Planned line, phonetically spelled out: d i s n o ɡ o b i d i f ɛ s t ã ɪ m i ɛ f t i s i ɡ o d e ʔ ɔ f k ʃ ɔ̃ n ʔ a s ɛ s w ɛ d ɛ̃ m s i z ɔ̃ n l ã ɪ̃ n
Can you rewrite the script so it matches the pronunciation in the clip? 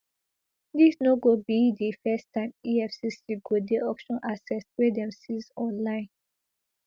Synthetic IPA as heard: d i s n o ɡ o b i d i f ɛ s t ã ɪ m i ɛ f s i s i ɡ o d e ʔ ɔ k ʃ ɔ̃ n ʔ a s ɛ s w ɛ d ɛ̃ m s i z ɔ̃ n l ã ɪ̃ n